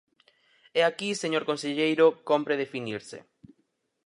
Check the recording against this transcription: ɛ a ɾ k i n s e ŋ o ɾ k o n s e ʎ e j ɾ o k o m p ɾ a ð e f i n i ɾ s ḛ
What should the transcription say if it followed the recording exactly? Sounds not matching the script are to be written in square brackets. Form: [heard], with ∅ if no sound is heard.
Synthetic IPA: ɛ a [∅] k i [∅] s e [ɲ] o ɾ k o n s e ʎ e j ɾ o k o m p ɾ [e] ð e f i n i ɾ s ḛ